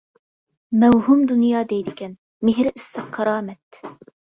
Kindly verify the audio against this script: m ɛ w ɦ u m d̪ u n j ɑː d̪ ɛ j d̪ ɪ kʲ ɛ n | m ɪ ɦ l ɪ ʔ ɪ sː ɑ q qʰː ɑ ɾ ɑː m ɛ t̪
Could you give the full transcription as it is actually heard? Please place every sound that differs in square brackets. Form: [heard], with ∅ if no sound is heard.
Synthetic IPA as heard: m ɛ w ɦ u m d̪ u n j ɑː d̪ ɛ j d̪ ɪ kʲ ɛ n | m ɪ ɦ [ɾ] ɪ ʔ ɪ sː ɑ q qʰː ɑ ɾ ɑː m ɛ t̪